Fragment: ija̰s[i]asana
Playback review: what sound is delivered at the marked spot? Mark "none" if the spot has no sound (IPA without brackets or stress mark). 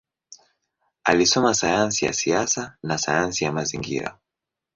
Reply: i